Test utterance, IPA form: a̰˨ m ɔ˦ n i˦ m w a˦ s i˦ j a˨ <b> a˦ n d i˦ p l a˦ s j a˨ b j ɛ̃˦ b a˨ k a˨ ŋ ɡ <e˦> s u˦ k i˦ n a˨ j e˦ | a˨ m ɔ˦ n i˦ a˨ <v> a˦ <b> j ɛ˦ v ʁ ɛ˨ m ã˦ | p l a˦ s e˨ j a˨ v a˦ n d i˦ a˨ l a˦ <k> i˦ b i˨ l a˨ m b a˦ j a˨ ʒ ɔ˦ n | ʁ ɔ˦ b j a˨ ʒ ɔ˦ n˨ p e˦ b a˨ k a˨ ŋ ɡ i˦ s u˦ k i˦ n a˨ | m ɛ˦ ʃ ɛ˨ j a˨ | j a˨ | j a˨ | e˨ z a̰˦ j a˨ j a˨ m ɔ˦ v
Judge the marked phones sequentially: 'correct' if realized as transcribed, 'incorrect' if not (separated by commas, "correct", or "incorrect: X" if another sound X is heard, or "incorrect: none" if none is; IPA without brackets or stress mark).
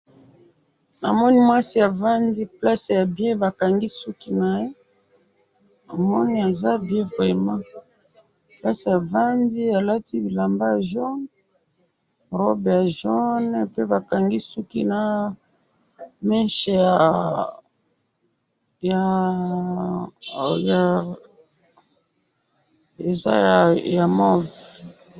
incorrect: v, incorrect: i˦, incorrect: z, correct, incorrect: t